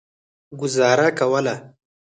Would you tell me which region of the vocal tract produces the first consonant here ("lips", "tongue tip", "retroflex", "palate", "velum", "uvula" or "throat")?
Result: velum